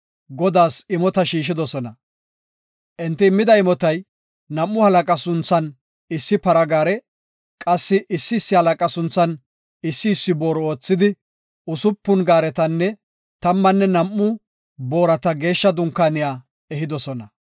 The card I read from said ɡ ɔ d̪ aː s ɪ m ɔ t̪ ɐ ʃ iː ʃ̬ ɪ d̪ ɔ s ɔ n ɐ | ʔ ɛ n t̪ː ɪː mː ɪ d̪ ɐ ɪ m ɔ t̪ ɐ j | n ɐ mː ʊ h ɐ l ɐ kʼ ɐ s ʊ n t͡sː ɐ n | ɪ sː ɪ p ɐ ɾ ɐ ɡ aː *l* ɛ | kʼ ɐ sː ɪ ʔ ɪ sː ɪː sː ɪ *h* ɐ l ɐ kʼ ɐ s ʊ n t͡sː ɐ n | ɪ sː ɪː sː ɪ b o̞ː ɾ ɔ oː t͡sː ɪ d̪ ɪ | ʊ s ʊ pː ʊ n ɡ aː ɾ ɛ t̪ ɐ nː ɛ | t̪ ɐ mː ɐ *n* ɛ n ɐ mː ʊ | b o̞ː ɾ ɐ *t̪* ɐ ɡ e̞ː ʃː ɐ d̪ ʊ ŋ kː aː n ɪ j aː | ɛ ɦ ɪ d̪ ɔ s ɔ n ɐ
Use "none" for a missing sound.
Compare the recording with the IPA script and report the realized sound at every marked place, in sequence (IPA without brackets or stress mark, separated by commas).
ɾ, h, nː, t̪